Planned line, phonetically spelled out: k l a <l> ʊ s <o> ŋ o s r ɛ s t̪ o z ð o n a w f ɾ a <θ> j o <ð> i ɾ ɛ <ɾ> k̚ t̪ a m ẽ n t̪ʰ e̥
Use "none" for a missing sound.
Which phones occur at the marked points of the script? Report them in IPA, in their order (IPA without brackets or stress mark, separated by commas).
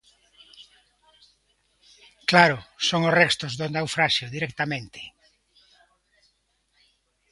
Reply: ɾ, o, ʃ, ð, none